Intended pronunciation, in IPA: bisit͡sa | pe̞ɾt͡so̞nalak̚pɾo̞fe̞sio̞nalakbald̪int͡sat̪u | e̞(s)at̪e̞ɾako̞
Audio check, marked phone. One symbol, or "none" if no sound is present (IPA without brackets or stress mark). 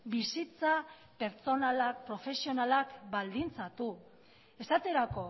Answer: s